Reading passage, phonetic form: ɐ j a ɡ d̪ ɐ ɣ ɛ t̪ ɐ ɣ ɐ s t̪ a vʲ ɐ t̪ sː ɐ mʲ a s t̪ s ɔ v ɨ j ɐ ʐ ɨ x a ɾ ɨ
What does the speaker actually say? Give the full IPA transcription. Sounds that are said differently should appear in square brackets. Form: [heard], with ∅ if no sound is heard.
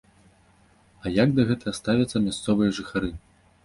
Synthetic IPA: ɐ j a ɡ d̪ ɐ ɣ ɛ t̪ ɐ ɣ ɐ s t̪ a vʲ ɐ t̪ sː ɐ mʲ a s t̪ s ɔ v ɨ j ɐ ʐ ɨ x a ɾ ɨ